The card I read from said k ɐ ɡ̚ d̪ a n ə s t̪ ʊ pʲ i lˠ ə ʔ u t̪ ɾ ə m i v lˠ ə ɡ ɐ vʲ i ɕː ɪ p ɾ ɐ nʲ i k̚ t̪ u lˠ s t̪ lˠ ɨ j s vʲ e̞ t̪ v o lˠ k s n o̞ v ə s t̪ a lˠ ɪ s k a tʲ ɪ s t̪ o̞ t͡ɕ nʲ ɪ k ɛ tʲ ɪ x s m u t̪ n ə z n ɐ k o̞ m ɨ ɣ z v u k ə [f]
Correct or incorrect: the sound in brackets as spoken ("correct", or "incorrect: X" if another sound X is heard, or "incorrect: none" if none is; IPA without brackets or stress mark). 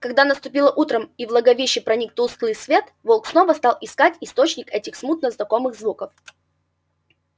correct